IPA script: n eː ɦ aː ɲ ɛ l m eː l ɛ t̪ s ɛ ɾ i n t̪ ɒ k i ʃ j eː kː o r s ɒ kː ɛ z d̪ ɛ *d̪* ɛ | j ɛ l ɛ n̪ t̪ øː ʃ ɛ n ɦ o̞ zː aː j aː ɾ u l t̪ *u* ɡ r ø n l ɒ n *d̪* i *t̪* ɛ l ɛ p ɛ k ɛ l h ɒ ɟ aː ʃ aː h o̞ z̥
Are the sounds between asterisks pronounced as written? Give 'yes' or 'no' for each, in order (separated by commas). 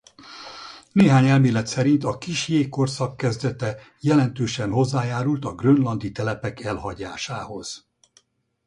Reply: no, no, yes, yes